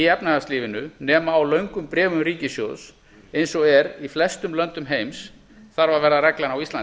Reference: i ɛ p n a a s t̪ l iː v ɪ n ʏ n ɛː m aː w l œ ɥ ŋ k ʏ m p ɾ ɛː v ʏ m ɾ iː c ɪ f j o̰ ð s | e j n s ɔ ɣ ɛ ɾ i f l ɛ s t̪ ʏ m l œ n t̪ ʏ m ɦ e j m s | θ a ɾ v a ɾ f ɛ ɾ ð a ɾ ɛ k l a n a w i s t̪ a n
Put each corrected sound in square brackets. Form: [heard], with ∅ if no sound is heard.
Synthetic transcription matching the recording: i ɛ p n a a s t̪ l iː v ɪ n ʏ n ɛː m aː w l œ ɥ ŋ k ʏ m p ɾ ɛː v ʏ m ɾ iː c ɪ [s] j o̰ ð s | e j n s ɔ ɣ ɛ ɾ i f l ɛ s t̪ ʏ m l œ n t̪ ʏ m ɦ e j m s | θ a ɾ v a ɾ [v] ɛ ɾ ð a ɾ ɛ k l a n a w i s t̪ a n

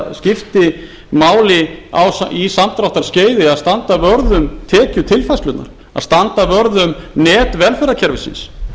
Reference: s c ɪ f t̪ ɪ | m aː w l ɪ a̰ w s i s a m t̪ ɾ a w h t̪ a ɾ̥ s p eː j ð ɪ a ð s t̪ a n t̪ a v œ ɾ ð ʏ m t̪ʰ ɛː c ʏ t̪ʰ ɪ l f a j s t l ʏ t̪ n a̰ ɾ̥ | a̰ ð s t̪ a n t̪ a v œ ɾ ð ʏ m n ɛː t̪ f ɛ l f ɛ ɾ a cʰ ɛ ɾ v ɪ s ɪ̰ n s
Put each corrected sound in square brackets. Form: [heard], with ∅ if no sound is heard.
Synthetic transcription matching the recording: s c ɪ f t̪ ɪ | m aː w l ɪ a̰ w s i s a m t̪ ɾ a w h t̪ a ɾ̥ s [c] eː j ð ɪ a ð s t̪ a n t̪ a v œ ɾ ð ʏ m t̪ʰ ɛː c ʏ t̪ʰ ɪ l f a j s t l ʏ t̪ n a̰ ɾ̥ | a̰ ð s t̪ a n t̪ a v œ ɾ ð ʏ m n ɛː t̪ [v] ɛ l f ɛ ɾ a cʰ ɛ ɾ v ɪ s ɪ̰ n s

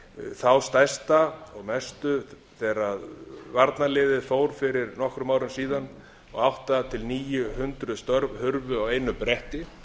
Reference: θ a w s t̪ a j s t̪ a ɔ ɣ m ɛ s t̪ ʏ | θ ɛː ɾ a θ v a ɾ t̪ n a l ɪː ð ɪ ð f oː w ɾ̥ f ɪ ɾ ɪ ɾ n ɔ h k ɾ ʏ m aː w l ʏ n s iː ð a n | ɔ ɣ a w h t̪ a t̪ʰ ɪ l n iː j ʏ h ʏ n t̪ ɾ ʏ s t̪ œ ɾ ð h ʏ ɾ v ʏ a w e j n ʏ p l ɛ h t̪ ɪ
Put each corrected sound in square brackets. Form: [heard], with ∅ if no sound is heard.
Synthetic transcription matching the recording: θ a w s t̪ a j s t̪ a ɔ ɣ m ɛ s t̪ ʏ | θ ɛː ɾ a [ð] v a ɾ t̪ n a l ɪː ð ɪ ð f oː w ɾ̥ f ɪ ɾ ɪ ɾ n ɔ h k ɾ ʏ m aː w [ɾ] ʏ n s iː ð a n | ɔ ɣ a w h t̪ a t̪ʰ ɪ l n iː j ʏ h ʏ n t̪ ɾ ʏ s t̪ œ ɾ [v] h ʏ ɾ v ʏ a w e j n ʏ p [ɾ] ɛ h t̪ ɪ

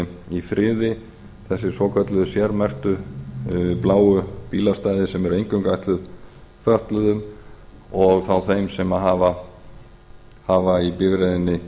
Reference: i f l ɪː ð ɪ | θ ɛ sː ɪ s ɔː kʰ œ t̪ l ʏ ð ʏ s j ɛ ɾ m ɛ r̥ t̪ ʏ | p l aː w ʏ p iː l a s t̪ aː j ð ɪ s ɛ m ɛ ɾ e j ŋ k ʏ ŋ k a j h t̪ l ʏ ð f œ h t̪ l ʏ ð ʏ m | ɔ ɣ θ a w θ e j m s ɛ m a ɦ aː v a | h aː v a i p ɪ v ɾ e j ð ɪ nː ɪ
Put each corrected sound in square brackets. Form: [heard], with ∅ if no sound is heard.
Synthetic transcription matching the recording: i f [ɾ] ɪː ð ɪ | θ ɛ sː ɪ s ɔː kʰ œ t̪ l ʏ ð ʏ s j ɛ ɾ m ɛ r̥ t̪ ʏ | p l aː w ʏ p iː l a s t̪ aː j ð ɪ s ɛ m ɛ ɾ e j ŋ k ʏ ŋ k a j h t̪ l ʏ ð f œ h t̪ l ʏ ð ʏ m | ɔ ɣ θ a w θ e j m s ɛ m a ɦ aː v a | h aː v a i p ɪ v ɾ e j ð ɪ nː ɪ

